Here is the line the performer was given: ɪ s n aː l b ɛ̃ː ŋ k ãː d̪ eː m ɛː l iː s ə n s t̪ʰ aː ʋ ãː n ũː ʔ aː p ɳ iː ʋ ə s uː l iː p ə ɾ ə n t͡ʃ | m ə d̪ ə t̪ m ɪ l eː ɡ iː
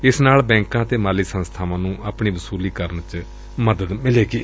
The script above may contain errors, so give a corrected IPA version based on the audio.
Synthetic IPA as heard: ɪ s n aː l b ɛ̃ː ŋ k ãː t̪ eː m aː l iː s ə n s t̪ʰ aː ʋ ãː n ũː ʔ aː p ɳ iː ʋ ə s uː l iː k ə ɾ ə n t͡ʃ | m ə d̪ ə d̪ m ɪ l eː ɡ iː